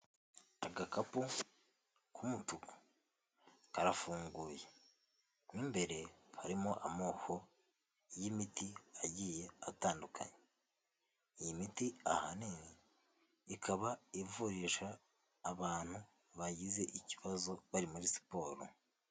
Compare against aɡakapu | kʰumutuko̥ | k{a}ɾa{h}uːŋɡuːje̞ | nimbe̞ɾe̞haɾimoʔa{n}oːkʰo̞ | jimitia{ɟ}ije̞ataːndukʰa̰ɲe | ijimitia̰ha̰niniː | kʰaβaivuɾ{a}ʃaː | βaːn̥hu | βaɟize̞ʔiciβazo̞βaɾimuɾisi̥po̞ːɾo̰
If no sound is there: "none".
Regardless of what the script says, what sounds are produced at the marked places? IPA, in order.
a, f, m, ɟ, i

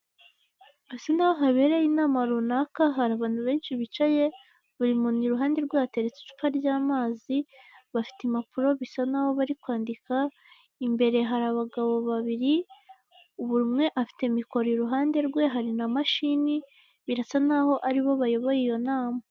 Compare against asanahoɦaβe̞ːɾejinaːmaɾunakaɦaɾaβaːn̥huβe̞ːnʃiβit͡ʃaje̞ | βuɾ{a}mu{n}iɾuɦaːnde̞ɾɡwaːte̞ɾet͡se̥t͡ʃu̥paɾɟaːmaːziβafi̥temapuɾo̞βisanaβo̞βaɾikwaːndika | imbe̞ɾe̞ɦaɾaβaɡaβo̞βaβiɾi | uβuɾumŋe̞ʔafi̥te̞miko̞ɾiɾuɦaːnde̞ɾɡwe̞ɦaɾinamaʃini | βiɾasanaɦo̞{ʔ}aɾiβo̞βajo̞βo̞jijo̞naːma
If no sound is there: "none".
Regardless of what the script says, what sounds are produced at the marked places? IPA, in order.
i, n, ʔ

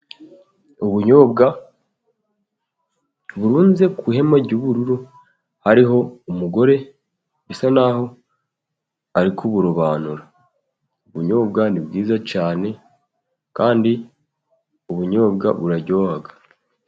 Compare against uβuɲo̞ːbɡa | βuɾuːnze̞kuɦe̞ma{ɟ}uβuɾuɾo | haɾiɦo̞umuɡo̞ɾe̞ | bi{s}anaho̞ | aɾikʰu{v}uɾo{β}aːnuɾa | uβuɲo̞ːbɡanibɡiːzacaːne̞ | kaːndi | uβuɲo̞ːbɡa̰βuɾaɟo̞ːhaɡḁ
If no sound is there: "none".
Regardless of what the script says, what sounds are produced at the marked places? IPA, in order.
ɟ, s, β, β

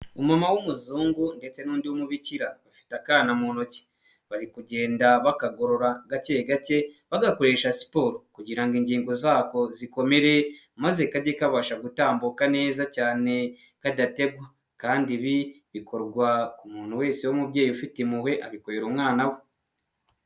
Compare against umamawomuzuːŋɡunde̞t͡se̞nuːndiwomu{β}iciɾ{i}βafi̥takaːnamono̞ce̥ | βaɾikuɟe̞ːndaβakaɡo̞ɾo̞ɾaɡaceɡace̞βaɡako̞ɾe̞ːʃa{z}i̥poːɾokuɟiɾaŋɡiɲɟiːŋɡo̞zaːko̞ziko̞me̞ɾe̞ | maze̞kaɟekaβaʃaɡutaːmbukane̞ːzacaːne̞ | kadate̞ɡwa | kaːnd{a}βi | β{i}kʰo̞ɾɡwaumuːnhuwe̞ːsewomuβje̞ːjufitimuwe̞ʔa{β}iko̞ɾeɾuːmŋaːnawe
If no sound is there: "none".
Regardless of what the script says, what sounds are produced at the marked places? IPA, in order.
β, a, s, i, i, β

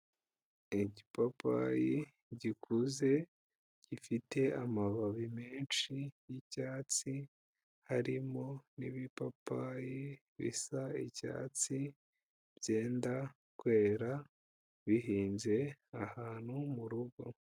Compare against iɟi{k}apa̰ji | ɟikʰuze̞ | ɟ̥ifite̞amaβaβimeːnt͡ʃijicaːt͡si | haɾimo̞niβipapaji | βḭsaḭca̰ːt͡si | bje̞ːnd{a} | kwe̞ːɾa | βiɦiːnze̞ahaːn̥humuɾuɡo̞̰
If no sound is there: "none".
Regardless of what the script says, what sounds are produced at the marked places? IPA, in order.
p, a

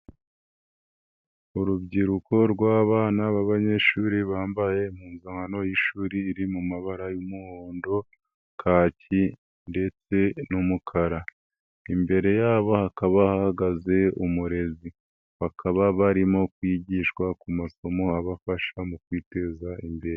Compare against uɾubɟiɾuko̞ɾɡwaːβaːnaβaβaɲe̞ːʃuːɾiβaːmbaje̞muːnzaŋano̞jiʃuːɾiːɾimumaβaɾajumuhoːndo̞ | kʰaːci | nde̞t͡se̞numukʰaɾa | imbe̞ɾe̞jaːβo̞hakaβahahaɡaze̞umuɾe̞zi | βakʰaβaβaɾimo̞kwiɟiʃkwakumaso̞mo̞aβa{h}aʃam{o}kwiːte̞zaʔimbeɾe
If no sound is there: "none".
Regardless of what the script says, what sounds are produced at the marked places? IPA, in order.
f, u

